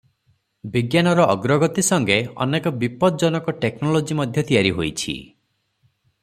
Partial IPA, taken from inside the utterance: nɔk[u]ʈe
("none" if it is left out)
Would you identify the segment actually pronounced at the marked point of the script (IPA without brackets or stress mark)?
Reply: ɔ